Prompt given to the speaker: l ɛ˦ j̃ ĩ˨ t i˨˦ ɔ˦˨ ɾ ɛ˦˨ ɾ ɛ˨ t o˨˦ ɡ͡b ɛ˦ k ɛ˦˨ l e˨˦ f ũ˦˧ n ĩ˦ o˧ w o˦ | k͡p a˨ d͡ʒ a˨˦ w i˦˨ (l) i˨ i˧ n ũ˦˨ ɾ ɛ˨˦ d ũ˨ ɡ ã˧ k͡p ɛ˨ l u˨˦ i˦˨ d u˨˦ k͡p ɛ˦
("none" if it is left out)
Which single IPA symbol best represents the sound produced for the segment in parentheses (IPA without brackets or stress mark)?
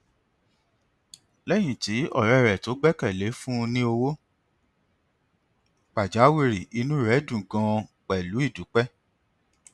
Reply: ɾ